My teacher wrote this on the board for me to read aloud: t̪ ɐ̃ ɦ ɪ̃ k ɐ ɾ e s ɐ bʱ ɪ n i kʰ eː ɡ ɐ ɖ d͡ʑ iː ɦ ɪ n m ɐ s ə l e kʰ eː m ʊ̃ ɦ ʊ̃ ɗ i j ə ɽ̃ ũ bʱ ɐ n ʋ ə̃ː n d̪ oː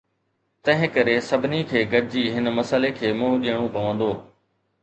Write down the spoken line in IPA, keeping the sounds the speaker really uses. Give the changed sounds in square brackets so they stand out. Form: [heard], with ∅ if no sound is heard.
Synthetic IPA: t̪ ɐ̃ ɦ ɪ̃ k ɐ ɾ e s ɐ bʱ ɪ n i kʰ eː ɡ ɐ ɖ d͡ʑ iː ɦ ɪ n m ɐ s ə l e kʰ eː m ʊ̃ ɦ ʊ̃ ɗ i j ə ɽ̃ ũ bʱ ɐ [∅] ʋ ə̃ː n d̪ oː